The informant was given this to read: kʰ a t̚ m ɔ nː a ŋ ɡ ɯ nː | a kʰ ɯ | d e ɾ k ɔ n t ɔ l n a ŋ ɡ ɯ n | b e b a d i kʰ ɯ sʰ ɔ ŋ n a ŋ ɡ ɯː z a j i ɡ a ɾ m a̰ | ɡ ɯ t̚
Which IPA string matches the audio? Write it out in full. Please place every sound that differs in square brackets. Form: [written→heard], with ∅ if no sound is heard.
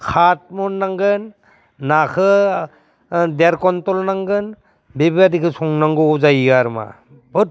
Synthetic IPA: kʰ a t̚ m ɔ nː a ŋ ɡ ɯ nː | a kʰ ɯ | d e ɾ k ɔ n t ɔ l n a ŋ ɡ ɯ n | b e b a d i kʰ ɯ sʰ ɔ ŋ n a ŋ ɡ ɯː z a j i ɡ a ɾ m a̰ | [ɡ→b] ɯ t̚